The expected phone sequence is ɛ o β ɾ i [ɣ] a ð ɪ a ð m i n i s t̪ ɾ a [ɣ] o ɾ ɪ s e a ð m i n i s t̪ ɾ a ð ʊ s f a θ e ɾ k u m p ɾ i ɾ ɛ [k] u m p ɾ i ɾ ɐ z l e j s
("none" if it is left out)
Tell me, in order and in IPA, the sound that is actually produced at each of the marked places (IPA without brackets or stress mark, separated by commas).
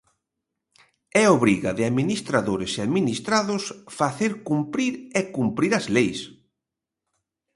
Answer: ɣ, ð, k